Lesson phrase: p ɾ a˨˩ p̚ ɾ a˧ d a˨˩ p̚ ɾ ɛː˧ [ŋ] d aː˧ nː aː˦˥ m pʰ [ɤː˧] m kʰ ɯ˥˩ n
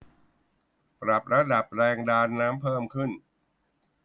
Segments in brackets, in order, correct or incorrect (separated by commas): correct, incorrect